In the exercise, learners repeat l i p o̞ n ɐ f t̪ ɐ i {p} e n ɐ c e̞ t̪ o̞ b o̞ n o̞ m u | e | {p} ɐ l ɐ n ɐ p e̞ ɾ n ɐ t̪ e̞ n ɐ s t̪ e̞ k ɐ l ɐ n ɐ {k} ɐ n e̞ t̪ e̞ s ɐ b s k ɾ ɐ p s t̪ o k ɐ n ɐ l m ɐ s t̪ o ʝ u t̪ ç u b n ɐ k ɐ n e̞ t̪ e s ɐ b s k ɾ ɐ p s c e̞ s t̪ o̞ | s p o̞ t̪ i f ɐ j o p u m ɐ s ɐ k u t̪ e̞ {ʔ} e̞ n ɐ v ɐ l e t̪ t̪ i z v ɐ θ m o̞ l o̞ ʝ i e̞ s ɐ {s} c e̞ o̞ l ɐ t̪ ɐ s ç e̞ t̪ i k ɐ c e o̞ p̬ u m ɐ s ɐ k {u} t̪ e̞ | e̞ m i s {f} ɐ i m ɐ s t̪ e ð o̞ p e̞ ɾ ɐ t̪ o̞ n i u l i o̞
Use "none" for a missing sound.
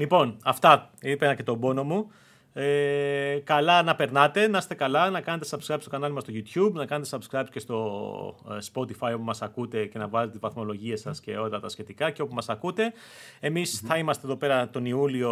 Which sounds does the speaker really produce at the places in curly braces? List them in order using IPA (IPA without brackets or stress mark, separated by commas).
p, k, k, c, s, u, θ